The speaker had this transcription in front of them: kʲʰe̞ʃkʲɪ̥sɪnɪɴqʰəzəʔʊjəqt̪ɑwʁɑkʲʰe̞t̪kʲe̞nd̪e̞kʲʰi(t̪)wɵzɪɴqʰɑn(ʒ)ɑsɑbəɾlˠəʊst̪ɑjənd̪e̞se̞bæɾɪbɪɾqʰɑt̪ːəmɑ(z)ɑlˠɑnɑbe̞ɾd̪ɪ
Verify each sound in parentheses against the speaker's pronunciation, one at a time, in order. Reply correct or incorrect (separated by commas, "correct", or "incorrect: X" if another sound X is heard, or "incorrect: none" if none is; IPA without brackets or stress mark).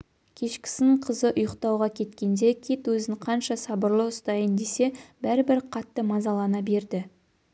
correct, incorrect: ʃ, correct